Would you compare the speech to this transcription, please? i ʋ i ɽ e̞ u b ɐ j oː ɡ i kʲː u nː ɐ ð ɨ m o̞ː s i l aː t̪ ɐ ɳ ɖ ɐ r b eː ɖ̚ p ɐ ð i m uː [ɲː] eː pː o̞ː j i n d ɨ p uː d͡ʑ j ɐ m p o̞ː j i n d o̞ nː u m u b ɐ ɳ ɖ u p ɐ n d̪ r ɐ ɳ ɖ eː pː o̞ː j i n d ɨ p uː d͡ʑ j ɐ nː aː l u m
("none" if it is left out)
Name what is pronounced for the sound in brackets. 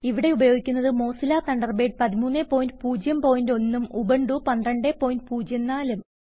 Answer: nː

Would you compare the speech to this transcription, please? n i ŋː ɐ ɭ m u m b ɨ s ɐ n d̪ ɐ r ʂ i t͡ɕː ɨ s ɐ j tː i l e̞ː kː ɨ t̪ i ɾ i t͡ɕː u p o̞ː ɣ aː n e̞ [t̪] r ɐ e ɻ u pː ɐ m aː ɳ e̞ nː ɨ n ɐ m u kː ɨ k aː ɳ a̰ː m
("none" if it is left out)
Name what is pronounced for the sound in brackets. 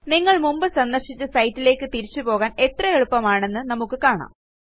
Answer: t̪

